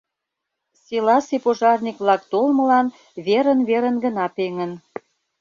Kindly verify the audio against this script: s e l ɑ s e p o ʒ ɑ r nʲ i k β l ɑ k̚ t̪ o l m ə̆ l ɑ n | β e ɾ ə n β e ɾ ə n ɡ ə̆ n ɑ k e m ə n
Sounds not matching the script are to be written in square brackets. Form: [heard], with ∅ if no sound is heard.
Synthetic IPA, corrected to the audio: s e l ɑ s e p o ʒ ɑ r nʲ i k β l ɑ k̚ t̪ o l m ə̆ l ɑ n | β e ɾ ə n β e ɾ ə n ɡ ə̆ n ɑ [p] e [ŋ] ə n